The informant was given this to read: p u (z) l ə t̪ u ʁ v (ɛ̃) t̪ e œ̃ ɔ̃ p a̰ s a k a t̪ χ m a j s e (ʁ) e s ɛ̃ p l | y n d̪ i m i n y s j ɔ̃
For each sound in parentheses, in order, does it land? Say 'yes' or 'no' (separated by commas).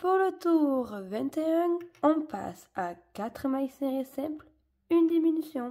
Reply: no, yes, yes